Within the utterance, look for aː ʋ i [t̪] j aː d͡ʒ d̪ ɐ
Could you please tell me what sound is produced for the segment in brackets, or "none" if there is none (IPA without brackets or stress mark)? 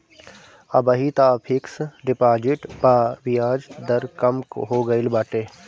none